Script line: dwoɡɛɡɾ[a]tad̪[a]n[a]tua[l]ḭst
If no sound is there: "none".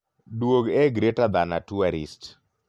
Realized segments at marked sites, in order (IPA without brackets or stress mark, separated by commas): e, a, a, ɾ